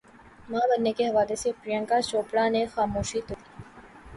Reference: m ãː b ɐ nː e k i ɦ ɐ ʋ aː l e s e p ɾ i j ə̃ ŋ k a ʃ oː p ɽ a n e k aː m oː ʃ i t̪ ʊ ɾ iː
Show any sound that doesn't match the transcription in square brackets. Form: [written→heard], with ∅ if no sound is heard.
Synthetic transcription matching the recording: m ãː b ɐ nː e k [i→e] ɦ ɐ ʋ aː l e s e p ɾ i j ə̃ ŋ k a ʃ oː p ɽ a n e [k→x] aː m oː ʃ i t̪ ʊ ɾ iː

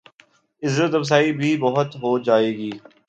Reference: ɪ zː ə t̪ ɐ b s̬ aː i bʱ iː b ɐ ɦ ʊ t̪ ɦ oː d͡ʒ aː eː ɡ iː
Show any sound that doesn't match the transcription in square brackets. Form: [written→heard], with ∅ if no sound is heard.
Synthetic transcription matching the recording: ɪ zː ə t̪ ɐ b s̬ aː i bʱ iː b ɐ ɦ ʊ t̪ ɦ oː d͡ʒ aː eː ɡ iː

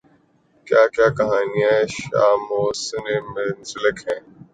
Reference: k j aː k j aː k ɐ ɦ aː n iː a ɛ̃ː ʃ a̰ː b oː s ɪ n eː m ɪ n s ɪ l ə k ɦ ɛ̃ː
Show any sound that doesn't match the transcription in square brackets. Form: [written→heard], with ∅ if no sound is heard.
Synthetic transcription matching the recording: k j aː k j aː k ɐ ɦ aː n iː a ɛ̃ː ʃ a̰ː [b→m] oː s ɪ n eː m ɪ n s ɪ l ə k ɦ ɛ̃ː

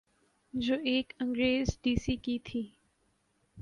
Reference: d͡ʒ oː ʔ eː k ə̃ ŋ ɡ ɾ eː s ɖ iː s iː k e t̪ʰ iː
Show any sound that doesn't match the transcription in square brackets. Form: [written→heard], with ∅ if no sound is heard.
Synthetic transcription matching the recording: d͡ʒ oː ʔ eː k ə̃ ŋ ɡ ɾ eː [s→z] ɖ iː s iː k [e→i] t̪ʰ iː

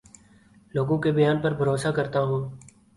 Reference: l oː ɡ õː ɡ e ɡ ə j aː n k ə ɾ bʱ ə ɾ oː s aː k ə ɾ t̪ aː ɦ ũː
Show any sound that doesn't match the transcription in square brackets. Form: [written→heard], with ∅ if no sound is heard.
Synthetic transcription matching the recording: l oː ɡ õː [ɡ→k] e [ɡ→b] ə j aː n [k→p] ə ɾ bʱ ə ɾ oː s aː k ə ɾ t̪ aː ɦ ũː

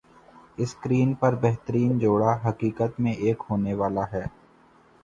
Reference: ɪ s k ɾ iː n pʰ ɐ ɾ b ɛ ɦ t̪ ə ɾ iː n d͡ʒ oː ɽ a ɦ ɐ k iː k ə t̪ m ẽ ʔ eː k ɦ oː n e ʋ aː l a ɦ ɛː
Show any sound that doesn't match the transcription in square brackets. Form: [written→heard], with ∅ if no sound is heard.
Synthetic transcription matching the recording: ɪ s k ɾ iː n [pʰ→p] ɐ ɾ b ɛ ɦ t̪ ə ɾ iː n d͡ʒ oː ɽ a ɦ ɐ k iː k ə t̪ m ẽ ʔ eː k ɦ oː n e ʋ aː l a ɦ ɛː

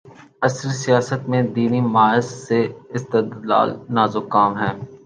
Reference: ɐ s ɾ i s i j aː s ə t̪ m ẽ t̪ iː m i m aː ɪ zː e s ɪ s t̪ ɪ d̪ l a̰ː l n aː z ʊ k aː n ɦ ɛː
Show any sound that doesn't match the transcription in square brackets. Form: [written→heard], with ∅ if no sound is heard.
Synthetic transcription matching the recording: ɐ s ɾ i s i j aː s ə t̪ m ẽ [t̪→d̪] iː [m→n] i m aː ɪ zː e [s→∅] ɪ s t̪ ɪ d̪ l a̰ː l n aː z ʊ k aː [n→m] ɦ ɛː

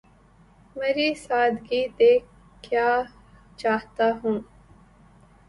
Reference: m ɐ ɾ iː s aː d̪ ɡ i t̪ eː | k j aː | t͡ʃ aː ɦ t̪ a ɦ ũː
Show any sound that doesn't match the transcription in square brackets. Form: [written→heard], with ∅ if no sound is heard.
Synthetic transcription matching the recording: m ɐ ɾ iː s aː d̪ ɡ i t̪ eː | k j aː | t͡ʃ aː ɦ t̪ a ɦ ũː

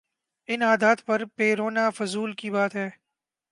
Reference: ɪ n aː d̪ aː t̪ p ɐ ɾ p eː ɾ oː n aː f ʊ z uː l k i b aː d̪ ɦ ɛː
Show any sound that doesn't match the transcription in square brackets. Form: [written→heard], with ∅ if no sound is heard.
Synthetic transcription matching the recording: ɪ n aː d̪ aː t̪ p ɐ ɾ p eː ɾ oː n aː f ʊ z uː l k i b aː [d̪→t̪] ɦ ɛː

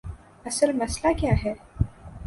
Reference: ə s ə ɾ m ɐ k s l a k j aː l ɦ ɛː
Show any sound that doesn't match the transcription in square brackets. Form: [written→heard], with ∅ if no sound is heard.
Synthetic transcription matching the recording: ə s ə [ɾ→l] m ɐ [k→∅] s l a k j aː [l→∅] ɦ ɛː

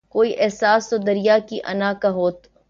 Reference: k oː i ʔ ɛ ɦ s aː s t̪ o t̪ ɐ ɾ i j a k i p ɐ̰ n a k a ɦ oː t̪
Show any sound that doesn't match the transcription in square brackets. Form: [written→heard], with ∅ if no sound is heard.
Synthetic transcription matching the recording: k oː i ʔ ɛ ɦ s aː s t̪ o [t̪→d̪] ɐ ɾ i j a k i [p→ʔ] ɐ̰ n a k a ɦ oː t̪

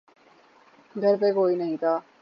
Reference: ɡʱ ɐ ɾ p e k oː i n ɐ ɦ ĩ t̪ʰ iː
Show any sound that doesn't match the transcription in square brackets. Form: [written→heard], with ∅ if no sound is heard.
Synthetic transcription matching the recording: ɡʱ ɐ ɾ p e k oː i n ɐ ɦ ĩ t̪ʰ [iː→aː]

